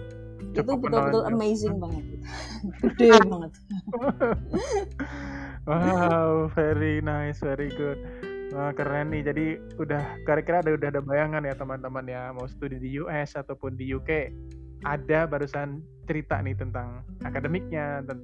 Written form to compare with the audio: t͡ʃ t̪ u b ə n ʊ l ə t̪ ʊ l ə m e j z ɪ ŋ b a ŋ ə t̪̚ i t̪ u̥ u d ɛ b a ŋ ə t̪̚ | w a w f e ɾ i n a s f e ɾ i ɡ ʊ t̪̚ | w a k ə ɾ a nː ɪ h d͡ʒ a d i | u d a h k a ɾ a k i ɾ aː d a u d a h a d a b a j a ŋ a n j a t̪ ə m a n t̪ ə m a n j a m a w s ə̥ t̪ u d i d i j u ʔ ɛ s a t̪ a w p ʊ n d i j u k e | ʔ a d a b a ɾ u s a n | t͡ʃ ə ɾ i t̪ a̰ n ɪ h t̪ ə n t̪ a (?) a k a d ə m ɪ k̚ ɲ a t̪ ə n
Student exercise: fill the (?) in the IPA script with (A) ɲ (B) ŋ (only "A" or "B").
B